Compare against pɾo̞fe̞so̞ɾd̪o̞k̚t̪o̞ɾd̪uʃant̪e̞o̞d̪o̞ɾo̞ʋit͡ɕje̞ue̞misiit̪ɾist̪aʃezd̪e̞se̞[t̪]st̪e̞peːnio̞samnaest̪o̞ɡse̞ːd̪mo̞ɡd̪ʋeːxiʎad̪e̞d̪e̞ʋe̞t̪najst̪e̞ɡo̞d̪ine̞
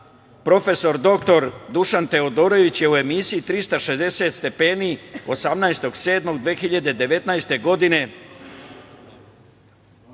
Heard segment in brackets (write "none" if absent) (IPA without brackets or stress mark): t̪